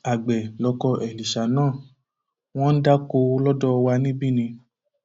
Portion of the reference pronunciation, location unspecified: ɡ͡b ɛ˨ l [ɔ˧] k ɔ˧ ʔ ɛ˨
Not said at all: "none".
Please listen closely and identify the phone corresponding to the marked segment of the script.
ɔ˧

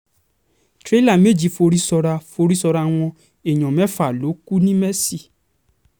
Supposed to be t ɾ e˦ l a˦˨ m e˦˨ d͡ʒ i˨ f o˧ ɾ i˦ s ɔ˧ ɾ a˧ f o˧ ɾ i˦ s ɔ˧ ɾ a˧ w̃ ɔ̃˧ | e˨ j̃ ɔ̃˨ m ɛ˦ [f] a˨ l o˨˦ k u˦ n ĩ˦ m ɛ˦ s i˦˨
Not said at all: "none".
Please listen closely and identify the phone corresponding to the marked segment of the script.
f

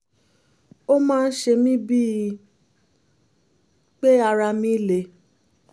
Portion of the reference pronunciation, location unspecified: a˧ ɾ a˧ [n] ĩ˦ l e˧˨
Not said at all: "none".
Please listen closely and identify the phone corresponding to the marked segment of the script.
m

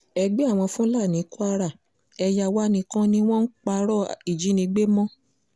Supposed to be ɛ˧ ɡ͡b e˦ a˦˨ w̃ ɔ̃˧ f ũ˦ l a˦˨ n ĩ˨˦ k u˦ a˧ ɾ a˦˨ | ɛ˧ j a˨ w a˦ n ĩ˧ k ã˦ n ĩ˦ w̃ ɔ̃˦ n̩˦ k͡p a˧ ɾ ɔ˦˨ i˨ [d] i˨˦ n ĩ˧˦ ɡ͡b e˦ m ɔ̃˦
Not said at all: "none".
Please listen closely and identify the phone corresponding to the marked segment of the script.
d͡ʒ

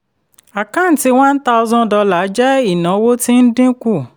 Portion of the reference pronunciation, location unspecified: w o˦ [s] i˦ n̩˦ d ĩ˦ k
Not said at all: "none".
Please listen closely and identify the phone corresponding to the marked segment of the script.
t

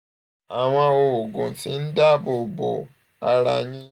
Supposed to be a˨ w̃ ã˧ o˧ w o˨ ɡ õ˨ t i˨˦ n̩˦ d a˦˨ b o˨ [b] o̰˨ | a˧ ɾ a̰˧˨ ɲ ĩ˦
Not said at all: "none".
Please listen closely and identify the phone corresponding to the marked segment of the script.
b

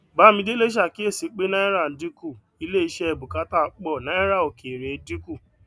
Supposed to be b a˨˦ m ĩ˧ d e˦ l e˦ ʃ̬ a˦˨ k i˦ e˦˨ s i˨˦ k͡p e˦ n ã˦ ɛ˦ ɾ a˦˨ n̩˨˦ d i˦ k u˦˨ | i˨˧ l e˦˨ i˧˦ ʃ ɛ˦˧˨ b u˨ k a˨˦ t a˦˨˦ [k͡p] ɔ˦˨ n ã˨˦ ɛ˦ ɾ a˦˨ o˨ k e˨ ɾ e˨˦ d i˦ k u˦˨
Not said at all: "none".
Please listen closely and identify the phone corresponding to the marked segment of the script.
k͡p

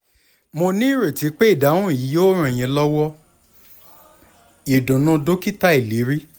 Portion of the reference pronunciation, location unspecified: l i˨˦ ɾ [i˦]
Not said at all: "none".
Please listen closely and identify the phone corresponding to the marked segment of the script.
i˦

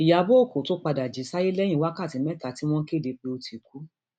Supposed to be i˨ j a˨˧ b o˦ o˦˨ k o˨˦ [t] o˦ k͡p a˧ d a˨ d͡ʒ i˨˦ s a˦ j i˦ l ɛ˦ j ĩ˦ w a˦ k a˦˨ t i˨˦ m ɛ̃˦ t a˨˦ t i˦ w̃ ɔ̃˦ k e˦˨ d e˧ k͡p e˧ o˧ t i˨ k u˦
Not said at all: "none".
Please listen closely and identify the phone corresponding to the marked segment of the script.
t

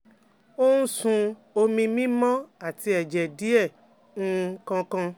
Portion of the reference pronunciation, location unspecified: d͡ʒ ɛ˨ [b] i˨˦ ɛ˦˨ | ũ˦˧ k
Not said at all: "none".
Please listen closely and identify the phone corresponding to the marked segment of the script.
d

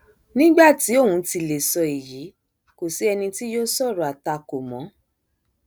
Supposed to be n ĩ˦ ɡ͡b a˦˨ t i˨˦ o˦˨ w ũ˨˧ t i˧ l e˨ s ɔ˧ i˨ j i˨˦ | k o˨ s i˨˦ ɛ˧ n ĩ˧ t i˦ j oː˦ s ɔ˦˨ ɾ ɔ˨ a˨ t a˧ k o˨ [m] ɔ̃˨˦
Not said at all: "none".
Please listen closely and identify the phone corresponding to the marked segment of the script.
m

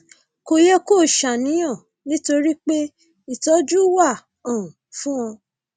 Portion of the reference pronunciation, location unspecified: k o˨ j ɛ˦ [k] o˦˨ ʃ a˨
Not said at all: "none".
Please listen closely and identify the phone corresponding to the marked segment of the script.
k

